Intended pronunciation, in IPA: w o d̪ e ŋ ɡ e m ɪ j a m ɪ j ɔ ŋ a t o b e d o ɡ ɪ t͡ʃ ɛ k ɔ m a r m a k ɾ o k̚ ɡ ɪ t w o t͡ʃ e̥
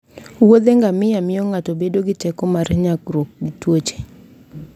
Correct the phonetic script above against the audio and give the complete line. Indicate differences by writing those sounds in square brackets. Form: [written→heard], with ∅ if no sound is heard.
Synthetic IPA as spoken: w o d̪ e ŋ ɡ [e→a] m ɪ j a m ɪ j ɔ ŋ a t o b e d o ɡ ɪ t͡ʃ ɛ k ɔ m a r [m→ɲ] a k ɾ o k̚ ɡ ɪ t w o t͡ʃ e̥

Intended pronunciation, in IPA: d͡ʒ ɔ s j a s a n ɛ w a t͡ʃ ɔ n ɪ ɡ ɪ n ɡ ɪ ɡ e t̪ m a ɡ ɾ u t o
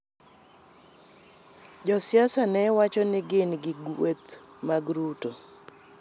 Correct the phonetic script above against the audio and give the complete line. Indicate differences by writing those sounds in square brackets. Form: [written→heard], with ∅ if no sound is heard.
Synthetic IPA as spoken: d͡ʒ ɔ s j a s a n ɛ w a t͡ʃ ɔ n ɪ ɡ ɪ n ɡ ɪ ɡ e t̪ m a ɡ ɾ u t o

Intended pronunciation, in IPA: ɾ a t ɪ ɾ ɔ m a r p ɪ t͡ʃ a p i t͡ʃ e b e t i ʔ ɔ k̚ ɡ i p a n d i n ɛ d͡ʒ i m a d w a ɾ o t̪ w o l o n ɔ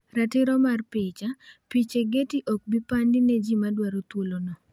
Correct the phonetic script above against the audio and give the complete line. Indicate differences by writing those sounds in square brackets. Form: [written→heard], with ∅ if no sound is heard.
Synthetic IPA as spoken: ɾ a t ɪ ɾ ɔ m a r p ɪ t͡ʃ a p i t͡ʃ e [b→ɡ] e t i ʔ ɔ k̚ [ɡ→b] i p a n d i n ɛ d͡ʒ i m a d w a ɾ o t̪ w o l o n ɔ

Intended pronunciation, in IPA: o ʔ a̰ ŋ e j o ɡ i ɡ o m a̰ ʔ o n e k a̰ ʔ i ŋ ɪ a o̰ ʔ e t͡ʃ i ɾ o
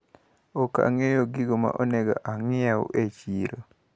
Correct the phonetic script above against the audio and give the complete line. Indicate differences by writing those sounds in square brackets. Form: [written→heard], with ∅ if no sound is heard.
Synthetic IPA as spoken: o [ʔ→k] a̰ ŋ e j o ɡ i ɡ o m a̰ ʔ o n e [k→ɡ] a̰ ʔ [i→a] ŋ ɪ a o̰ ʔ e t͡ʃ i ɾ o

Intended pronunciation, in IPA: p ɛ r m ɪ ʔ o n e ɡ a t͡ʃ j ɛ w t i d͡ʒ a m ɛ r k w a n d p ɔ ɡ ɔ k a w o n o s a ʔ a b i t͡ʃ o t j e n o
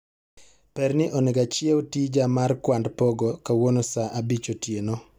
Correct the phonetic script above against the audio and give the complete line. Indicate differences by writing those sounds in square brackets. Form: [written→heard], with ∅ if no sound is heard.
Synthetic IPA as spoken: p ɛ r [m→n] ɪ ʔ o n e ɡ a t͡ʃ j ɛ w t i d͡ʒ a m [ɛ→a] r k w a n d p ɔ ɡ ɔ k a w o n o s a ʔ a b i t͡ʃ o t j e n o

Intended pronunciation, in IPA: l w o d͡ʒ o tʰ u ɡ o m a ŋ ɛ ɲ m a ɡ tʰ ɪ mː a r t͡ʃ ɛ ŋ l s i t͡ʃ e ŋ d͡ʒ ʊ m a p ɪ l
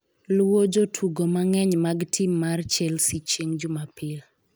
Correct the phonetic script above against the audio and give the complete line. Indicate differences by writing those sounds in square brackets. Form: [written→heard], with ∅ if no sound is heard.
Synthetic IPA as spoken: l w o d͡ʒ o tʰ u ɡ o m a ŋ ɛ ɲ m a ɡ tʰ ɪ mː a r t͡ʃ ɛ [ŋ→∅] l s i t͡ʃ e ŋ d͡ʒ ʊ m a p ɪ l

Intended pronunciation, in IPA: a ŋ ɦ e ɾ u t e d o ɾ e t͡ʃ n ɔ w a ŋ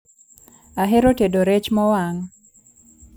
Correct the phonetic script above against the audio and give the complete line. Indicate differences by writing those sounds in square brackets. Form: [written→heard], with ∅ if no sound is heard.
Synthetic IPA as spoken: a [ŋ→∅] ɦ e ɾ [u→o] t e d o ɾ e t͡ʃ [n→m] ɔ w a ŋ

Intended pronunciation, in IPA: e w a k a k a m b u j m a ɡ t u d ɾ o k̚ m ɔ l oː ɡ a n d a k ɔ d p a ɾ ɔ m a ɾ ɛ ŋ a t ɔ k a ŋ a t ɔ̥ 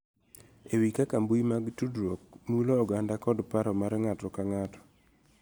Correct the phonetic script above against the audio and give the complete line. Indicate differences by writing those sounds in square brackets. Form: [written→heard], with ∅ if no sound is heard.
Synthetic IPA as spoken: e w [a→i] k a k a m b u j m a ɡ t u d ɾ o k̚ m [ɔ→u] l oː ɡ a n d a k ɔ d p a ɾ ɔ m a ɾ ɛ ŋ a t ɔ k a ŋ a t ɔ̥

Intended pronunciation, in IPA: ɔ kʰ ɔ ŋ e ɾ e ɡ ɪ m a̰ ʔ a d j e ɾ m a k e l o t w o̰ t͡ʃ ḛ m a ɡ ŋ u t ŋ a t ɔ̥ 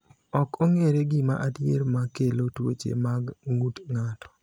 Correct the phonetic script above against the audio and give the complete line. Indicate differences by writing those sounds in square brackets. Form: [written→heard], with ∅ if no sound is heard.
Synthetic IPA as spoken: ɔ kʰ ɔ ŋ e ɾ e ɡ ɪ m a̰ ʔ a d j e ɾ m a k e l o t w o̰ t͡ʃ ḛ m a ɡ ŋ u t ŋ a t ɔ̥

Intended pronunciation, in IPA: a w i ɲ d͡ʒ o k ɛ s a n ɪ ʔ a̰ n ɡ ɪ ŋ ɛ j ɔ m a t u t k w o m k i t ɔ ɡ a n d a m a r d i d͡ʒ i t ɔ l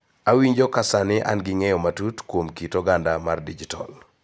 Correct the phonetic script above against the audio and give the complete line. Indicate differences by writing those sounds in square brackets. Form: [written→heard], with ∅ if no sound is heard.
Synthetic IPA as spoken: a w i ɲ d͡ʒ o k [ɛ→a] s a n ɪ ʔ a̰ n ɡ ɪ ŋ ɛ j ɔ m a t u t k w o m k i t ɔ ɡ a n d a m a r d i d͡ʒ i t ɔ l

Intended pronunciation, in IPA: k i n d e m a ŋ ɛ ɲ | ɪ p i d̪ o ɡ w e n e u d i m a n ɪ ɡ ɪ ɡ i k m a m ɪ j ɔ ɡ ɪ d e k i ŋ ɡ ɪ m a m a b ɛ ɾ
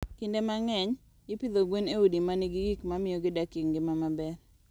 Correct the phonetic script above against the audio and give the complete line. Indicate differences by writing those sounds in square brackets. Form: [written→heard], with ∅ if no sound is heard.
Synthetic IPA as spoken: k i n d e m a ŋ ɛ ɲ | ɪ p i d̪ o ɡ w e n e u d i m a n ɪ ɡ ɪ ɡ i k m a m ɪ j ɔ ɡ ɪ d [e→a] k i ŋ ɡ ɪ m a m a b ɛ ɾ

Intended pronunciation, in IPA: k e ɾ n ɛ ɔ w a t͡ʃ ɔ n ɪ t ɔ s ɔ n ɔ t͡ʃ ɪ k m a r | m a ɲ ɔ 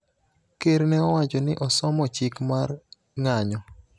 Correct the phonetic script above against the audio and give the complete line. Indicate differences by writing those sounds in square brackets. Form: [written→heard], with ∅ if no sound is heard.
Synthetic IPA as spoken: k e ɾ n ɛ ɔ w a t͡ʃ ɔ n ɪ [t→ʔ] ɔ s ɔ [n→m] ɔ t͡ʃ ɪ k m a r | [m→ŋ] a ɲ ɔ

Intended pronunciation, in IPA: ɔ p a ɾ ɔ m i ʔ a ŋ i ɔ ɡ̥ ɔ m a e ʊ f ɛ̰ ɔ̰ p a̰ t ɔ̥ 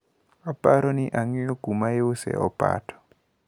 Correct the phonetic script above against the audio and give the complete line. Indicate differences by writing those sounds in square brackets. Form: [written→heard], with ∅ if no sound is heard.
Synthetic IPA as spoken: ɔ p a ɾ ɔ [m→n] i ʔ a ŋ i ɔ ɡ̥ [ɔ→u] m a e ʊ [f→s] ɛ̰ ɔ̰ p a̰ t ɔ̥

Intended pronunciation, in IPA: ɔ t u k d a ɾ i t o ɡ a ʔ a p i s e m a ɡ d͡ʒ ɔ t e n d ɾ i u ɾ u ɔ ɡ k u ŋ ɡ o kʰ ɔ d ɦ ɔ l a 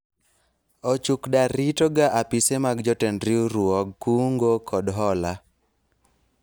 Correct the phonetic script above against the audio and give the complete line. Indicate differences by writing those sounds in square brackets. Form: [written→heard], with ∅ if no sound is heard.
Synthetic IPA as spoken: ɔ [t→t͡ʃ] u k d a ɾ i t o ɡ a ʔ a p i s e m a ɡ d͡ʒ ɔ t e n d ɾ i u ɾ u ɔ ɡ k u ŋ ɡ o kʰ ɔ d ɦ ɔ l a

